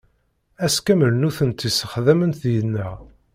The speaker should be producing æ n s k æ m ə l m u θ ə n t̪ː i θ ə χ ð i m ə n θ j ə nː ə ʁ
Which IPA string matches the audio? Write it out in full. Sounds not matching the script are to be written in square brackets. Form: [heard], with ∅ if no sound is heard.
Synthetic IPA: æ [∅] s k æ m ə l [n] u θ ə n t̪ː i [s] ə χ ð [æ] m ə n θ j ə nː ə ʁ